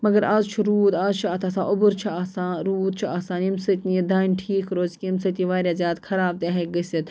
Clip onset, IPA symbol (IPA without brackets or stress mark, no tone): m